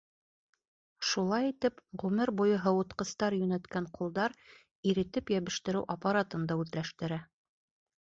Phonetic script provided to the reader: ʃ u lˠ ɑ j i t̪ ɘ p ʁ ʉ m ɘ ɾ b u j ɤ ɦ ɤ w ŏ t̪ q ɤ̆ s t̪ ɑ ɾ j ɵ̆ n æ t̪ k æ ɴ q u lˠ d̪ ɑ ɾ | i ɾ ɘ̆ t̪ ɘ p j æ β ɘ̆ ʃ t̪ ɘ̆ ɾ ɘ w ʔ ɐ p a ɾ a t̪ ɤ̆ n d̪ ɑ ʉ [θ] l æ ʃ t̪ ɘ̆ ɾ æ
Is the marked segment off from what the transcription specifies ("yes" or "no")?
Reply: yes